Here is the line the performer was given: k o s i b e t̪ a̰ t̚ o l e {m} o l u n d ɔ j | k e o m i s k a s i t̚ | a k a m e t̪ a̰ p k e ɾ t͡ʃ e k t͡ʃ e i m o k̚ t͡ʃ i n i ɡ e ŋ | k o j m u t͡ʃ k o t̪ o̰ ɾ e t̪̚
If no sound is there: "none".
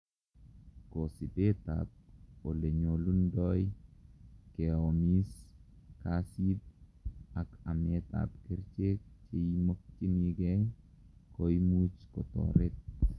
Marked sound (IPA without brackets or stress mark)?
ɲ